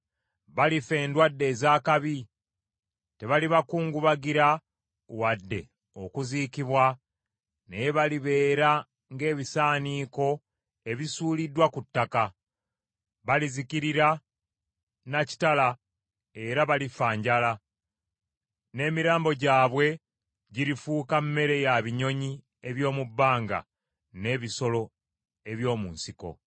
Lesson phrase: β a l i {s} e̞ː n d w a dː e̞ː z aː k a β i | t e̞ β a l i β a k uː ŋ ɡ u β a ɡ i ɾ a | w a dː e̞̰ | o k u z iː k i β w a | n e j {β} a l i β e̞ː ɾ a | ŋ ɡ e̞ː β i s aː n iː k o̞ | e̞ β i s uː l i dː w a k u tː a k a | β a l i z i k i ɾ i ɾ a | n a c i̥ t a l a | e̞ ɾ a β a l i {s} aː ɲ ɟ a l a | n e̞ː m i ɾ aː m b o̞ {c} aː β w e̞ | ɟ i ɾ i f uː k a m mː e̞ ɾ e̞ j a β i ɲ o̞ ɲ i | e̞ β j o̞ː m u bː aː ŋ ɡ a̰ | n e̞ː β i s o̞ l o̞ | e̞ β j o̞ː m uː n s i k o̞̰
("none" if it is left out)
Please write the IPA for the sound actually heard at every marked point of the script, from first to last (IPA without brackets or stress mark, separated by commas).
f, β, f, ɟ